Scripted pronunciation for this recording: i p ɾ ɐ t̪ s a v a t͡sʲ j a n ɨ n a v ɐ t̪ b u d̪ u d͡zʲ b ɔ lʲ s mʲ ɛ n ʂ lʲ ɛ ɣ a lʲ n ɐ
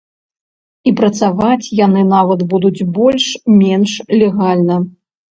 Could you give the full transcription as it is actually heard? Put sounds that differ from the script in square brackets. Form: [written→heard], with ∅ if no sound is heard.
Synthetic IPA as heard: i p ɾ ɐ t̪ s a v a t͡sʲ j a n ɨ n a v ɐ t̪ b u d̪ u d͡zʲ b ɔ lʲ [s→ʂ] mʲ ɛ n ʂ lʲ ɛ ɣ a lʲ n ɐ